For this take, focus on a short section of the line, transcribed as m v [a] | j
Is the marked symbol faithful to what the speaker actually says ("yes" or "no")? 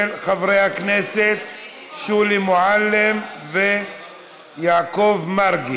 no